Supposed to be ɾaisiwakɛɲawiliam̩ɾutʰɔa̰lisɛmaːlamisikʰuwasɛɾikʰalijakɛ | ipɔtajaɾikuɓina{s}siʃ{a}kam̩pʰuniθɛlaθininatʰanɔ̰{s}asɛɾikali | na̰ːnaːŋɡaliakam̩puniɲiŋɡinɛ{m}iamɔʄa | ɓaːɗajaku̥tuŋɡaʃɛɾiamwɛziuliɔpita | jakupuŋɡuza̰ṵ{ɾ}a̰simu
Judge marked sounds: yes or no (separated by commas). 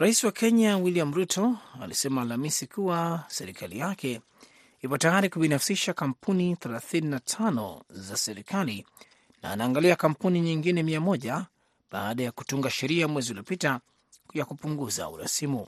no, yes, no, yes, yes